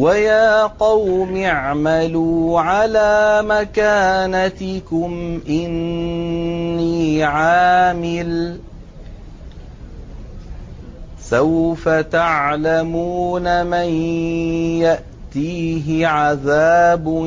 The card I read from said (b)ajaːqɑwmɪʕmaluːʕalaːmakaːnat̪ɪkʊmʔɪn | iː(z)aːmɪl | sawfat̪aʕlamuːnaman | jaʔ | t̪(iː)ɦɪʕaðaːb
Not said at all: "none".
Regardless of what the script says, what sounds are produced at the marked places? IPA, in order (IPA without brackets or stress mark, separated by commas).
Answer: w, ʕ, iː